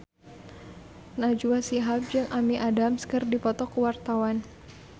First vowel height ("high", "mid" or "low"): low